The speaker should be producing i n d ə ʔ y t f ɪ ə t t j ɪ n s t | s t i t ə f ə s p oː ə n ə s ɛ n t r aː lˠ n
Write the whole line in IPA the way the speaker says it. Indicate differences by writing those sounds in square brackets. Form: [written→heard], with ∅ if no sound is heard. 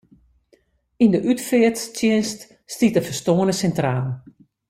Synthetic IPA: i n d ə ʔ y t f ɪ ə t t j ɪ n s t | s t i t ə f ə s [p→t] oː ə n ə s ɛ n t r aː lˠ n